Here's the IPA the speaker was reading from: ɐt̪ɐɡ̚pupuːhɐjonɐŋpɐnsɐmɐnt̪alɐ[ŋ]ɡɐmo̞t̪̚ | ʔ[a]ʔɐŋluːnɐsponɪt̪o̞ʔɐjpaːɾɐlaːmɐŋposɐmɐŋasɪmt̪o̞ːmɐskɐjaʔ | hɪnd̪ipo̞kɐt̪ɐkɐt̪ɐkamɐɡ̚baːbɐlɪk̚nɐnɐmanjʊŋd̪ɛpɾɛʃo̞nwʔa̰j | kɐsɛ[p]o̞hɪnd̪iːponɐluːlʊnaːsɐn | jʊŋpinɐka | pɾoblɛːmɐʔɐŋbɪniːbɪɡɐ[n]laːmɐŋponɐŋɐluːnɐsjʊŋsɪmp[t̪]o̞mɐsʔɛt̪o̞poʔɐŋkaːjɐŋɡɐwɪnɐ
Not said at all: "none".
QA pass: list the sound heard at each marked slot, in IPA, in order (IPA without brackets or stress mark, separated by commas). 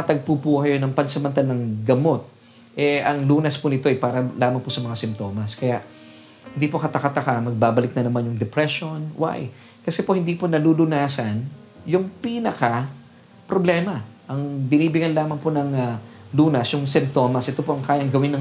ŋ, ɛ, p, n, t̪